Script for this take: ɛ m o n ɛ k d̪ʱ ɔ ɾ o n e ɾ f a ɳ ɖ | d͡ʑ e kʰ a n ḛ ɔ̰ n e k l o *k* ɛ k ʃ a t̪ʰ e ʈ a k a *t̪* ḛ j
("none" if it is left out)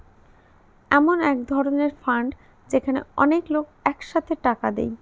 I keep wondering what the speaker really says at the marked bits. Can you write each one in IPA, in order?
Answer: k, d̪

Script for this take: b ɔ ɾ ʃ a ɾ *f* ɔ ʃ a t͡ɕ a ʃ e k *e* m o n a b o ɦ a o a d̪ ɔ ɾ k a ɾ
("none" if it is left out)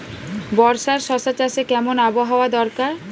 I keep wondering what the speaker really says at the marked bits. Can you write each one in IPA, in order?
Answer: ʃ, ɛ

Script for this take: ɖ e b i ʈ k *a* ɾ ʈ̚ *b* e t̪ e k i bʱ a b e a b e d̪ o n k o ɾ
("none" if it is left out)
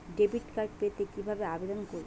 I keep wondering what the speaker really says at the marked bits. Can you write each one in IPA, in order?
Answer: a, p

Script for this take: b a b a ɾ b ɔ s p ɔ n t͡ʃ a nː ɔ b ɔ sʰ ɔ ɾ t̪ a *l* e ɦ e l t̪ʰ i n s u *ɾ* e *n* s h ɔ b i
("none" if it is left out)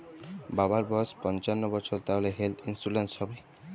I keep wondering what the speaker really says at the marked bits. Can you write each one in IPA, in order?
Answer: l, l, n

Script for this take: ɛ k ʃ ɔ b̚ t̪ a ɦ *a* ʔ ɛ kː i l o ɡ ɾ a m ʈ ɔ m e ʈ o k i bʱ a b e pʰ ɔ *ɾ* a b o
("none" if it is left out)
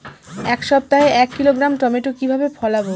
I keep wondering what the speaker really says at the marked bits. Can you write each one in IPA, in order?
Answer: e, l

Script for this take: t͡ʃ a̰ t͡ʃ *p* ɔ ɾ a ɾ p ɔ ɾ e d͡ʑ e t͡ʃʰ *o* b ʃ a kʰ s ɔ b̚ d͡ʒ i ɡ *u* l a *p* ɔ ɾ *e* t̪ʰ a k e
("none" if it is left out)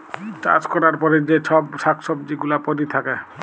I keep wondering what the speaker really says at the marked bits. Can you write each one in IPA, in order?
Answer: k, ɔ, u, p, i

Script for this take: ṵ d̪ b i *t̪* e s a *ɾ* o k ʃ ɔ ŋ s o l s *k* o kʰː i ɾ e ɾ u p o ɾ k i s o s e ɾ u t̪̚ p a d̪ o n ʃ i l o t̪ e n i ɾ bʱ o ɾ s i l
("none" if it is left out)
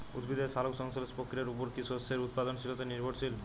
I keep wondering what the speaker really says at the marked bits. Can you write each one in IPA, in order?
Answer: d̪, l, p

